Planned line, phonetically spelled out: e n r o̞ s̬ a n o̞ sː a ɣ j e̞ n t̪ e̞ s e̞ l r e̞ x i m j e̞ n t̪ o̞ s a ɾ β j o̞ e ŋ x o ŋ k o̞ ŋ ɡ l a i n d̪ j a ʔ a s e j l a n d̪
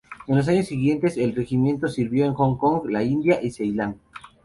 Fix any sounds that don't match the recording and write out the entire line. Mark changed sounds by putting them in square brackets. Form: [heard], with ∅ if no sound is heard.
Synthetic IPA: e n [l] o̞ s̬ a [ɲ] o̞ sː [i] ɣ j e̞ n t̪ e̞ s e̞ l r e̞ x i m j e̞ n t̪ o̞ s [i] ɾ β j o̞ e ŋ x o ŋ k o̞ ŋ ɡ l a i n d̪ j a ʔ [i] s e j l a n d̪